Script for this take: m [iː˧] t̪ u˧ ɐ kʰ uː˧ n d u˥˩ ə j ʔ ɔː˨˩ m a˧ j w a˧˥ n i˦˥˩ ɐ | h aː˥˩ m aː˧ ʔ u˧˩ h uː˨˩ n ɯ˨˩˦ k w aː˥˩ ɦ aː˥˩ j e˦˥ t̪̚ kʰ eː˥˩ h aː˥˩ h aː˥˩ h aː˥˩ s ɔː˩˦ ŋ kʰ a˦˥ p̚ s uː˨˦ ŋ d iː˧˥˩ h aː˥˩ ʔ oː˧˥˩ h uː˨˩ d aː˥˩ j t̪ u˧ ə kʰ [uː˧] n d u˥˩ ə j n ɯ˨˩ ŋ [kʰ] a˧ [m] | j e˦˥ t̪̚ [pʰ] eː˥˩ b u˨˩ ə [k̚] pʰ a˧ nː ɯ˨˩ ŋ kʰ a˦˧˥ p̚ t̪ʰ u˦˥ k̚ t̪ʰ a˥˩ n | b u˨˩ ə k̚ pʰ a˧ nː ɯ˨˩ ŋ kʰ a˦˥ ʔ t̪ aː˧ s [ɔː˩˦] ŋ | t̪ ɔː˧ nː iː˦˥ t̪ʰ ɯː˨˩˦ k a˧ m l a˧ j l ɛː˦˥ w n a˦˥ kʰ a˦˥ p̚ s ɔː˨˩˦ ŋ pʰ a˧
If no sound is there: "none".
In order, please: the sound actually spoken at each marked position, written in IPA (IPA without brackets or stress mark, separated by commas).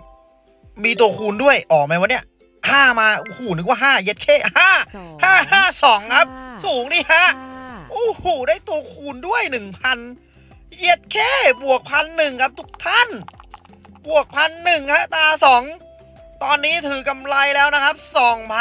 iː˧, uː˧, pʰ, n, kʰ, k̚, ɔː˩˦